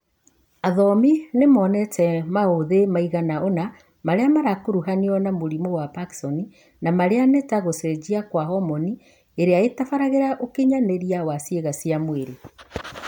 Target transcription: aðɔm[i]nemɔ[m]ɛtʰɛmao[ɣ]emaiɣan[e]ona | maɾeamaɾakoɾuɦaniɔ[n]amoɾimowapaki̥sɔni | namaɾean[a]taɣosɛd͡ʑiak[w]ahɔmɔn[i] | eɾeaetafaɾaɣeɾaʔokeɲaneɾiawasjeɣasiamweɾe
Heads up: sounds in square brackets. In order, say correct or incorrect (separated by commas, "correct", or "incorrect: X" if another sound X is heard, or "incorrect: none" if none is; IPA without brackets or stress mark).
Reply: correct, incorrect: n, incorrect: ð, incorrect: a, correct, incorrect: e, correct, correct